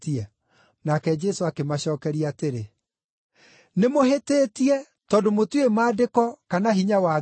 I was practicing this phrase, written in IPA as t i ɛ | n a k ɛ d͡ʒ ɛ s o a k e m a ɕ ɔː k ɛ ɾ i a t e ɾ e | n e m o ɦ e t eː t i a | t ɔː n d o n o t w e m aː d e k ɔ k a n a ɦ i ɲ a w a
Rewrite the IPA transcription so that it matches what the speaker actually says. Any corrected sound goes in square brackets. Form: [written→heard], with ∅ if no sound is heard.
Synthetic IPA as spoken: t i ɛ | n a k ɛ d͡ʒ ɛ s o a k e m a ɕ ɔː k ɛ ɾ i a t e ɾ e | n e m o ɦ e t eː t i [a→ɛ] | t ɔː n d o [n→m] o t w e m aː d e k ɔ k a n a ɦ i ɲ a w a